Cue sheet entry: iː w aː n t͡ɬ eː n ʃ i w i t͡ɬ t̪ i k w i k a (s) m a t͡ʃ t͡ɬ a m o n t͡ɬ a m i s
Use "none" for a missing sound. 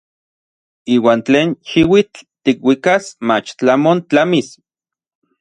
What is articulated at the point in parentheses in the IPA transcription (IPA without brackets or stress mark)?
s